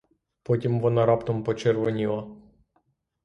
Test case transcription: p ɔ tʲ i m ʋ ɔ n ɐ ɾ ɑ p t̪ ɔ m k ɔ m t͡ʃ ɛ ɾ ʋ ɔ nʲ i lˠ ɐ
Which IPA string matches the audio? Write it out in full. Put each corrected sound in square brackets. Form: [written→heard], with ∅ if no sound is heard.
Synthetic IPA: p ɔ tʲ i m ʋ ɔ n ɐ ɾ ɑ p t̪ ɔ m [k→p] ɔ [m→∅] t͡ʃ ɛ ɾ ʋ ɔ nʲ i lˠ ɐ

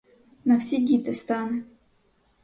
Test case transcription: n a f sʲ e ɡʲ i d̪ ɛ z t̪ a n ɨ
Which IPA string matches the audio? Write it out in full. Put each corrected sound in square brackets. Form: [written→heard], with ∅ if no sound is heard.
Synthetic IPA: n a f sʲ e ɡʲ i [d̪→t̪] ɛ [z→s] t̪ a n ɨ

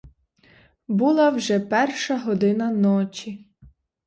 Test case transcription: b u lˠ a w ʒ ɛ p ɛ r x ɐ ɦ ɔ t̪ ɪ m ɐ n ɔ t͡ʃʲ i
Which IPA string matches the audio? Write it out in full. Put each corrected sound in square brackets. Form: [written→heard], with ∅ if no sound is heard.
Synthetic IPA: b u lˠ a w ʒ ɛ p ɛ r [x→ʃ] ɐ ɦ ɔ [t̪→d̪] ɪ [m→n] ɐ n ɔ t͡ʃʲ i

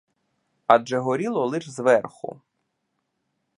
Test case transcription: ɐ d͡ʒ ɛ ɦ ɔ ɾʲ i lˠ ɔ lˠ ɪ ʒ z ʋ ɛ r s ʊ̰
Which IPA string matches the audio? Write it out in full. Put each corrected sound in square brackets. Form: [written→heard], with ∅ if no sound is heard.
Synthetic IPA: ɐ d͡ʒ ɛ ɦ ɔ ɾʲ i lˠ ɔ lˠ ɪ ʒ z ʋ ɛ r [s→x] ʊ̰

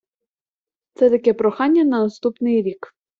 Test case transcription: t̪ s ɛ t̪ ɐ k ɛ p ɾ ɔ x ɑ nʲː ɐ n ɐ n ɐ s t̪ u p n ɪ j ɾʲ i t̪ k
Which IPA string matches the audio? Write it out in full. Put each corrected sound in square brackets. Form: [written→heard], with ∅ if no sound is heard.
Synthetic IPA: t̪ s ɛ t̪ ɐ k ɛ p ɾ ɔ x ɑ nʲː ɐ n ɐ n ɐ s t̪ u p n ɪ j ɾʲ i [t̪→∅] k

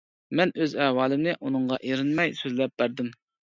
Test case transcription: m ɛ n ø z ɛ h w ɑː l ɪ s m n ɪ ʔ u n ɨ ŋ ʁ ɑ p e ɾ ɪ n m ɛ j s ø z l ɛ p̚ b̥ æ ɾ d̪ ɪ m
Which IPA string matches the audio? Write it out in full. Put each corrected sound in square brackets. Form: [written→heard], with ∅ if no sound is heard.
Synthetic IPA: m ɛ n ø z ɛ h w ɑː l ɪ [s→∅] m n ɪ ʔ u n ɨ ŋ ʁ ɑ [p→ʔ] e ɾ ɪ n m ɛ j s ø z l ɛ p̚ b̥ æ ɾ d̪ ɪ m

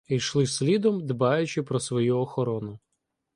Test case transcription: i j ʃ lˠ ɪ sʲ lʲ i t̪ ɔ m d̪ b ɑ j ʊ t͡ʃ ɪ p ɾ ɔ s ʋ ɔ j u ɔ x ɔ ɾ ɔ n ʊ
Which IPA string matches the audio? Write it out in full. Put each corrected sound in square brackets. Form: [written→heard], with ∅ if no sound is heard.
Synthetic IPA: i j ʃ lˠ ɪ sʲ lʲ i [t̪→d̪] ɔ m d̪ b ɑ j ʊ t͡ʃ ɪ p ɾ ɔ s ʋ ɔ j u ɔ x ɔ ɾ ɔ n ʊ

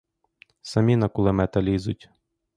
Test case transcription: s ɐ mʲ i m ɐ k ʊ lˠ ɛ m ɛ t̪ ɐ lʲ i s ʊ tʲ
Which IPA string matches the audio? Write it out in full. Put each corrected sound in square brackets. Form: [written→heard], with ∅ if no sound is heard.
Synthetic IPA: s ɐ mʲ i [m→n] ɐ k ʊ lˠ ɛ m ɛ t̪ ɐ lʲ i [s→z] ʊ tʲ

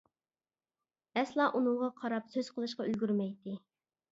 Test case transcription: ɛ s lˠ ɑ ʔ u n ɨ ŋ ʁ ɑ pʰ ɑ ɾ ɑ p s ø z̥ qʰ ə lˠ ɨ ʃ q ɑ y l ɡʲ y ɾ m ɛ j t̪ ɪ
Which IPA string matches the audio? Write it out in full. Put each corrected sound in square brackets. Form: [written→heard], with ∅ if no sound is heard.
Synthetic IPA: ɛ s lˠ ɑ ʔ u n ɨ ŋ ʁ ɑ [pʰ→qʰ] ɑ ɾ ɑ p s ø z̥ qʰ ə lˠ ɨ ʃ q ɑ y l ɡʲ y ɾ m ɛ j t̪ ɪ

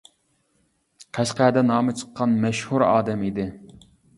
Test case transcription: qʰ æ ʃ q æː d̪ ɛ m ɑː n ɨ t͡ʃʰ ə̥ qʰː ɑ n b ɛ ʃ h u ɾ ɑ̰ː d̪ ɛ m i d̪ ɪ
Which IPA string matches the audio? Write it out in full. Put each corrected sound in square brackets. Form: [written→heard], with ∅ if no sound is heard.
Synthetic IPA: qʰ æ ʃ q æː d̪ ɛ [m→n] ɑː [n→m] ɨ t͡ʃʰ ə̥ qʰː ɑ n [b→m] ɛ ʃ h u ɾ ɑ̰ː d̪ ɛ m i d̪ ɪ

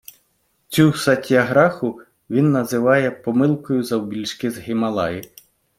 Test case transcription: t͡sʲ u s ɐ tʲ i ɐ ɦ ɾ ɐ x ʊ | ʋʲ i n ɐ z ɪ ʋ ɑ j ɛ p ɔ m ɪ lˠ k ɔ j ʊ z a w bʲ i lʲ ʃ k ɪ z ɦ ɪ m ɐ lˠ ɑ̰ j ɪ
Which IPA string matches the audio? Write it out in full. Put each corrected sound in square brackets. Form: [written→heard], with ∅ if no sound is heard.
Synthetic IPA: t͡sʲ u s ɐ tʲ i ɐ ɦ ɾ [ɐ→ɑ] x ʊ | ʋʲ i [n→nː] ɐ z ɪ ʋ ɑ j ɛ p ɔ m ɪ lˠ k ɔ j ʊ z [a→ɐ] w bʲ i lʲ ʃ k ɪ z ɦ ɪ m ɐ lˠ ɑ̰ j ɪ

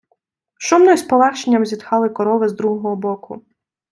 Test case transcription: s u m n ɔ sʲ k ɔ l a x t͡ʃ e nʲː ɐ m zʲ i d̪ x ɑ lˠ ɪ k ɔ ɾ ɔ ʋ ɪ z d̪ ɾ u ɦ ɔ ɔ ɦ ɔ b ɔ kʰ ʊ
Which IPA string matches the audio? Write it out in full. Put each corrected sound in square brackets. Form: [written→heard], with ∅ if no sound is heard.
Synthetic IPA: [s→ʃ] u m n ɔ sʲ [k→p] ɔ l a x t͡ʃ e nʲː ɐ m zʲ i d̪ x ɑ lˠ ɪ k ɔ ɾ ɔ ʋ ɪ z d̪ ɾ u ɦ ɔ ɔ ɦ ɔ b ɔ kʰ ʊ

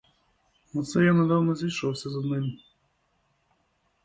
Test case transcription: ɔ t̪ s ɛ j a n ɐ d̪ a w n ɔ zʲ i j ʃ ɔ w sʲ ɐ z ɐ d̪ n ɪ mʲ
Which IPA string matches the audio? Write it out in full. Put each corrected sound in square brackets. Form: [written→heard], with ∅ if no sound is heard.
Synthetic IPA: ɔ t̪ s ɛ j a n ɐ d̪ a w n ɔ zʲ i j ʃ ɔ w sʲ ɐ z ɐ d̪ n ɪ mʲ

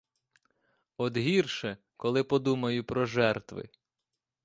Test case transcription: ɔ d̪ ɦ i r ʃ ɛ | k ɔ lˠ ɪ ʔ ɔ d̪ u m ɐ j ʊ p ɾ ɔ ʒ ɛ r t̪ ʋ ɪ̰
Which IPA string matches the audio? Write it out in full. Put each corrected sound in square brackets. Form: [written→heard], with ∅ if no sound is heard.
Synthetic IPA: ɔ d̪ ɦ i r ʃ ɛ | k ɔ lˠ ɪ [ʔ→p] ɔ d̪ u m ɐ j ʊ p ɾ ɔ ʒ ɛ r t̪ ʋ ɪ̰

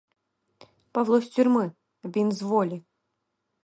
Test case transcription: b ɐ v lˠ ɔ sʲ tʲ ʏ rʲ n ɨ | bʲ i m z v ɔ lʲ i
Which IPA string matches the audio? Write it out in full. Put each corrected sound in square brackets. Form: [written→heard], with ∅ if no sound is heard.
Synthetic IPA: [b→p] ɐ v lˠ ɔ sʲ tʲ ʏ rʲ [n→m] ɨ | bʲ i [m→n] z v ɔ lʲ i

